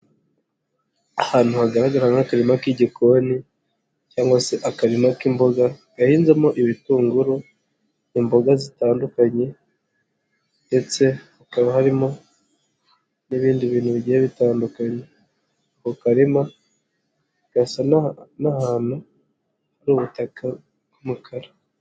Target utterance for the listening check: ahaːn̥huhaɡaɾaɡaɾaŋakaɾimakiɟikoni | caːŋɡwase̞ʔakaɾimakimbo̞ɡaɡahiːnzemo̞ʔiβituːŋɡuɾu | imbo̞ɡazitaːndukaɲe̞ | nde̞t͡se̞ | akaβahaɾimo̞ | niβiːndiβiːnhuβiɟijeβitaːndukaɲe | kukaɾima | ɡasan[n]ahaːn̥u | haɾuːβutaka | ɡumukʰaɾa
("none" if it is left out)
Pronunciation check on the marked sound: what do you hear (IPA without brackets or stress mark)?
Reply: n